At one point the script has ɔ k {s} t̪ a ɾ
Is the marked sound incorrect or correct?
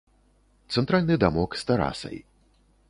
correct